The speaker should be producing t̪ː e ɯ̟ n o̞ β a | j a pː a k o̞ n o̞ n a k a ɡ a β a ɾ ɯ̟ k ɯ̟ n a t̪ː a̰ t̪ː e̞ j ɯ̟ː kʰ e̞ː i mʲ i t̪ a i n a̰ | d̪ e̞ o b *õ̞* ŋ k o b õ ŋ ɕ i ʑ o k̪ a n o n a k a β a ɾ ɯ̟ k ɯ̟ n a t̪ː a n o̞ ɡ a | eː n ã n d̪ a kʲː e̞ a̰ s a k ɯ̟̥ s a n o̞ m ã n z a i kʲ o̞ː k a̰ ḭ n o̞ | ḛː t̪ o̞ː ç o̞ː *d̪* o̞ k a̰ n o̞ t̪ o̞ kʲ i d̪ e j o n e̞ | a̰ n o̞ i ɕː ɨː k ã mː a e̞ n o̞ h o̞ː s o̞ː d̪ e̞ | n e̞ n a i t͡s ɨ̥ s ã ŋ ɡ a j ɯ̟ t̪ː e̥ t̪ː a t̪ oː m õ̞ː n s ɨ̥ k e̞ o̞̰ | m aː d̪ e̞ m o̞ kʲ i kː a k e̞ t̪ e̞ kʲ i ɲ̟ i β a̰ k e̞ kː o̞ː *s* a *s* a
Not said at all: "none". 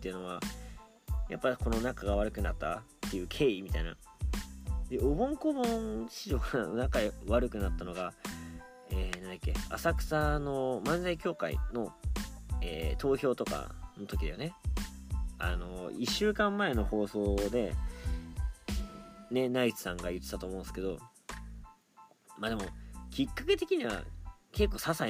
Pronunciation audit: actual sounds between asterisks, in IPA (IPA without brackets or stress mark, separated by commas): õ̞, t̪, s, s